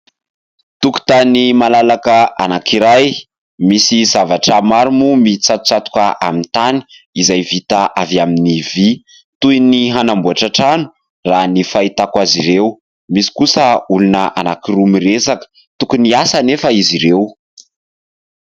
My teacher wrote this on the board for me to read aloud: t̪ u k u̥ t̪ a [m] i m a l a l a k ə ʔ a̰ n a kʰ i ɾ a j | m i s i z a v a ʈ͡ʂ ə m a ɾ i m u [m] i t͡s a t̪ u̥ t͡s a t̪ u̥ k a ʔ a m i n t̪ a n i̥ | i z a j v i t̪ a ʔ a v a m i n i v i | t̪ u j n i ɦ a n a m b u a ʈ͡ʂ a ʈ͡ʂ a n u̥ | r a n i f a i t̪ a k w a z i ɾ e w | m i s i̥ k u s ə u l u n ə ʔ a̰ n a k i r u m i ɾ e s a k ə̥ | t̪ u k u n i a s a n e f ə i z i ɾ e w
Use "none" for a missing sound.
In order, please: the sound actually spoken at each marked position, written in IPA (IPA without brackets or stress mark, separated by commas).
n, m